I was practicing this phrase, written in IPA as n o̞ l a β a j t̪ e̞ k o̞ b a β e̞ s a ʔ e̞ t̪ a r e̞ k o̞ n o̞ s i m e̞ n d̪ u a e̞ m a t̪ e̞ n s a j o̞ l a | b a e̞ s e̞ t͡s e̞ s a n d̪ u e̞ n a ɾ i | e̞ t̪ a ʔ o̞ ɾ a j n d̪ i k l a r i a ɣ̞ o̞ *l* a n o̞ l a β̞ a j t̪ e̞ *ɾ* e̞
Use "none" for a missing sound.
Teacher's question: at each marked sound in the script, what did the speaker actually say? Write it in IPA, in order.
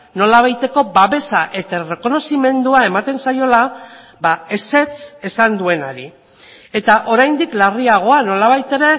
none, ɾ

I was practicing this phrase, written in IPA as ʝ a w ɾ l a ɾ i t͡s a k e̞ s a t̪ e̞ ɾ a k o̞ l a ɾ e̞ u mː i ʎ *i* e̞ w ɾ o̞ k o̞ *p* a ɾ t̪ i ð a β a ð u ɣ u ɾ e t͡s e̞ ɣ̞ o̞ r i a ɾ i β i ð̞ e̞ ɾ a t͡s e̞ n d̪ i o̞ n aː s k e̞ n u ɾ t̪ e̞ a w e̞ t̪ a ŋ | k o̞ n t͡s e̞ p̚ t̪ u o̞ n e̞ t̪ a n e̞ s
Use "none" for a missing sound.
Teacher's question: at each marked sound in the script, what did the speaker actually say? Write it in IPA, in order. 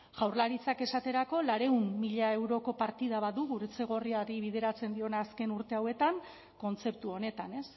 a, p

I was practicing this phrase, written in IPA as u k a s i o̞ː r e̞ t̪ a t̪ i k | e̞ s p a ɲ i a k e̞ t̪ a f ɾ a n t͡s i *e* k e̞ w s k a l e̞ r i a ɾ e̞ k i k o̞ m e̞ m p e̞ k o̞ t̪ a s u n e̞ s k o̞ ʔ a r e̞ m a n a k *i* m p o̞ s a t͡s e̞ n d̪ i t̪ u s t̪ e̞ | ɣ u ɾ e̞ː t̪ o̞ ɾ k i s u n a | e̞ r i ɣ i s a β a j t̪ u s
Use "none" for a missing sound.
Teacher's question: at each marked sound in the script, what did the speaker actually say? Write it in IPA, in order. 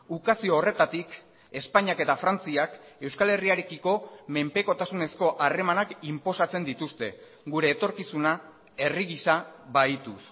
a, i

